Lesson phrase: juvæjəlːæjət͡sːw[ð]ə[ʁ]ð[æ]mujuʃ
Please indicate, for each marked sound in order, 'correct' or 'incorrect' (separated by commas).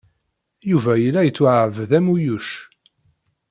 incorrect, incorrect, correct